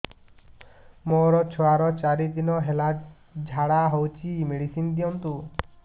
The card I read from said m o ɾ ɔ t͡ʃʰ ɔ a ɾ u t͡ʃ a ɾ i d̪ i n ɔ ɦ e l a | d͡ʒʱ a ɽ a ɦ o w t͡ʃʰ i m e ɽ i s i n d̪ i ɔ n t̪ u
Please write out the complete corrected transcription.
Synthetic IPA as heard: m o ɾ ɔ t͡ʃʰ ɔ a ɾ ɔ t͡ʃ a ɾ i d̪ i n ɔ ɦ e l a | d͡ʒʱ a ɽ a ɦ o w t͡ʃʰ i m e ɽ i s i n d̪ i ɔ n t̪ u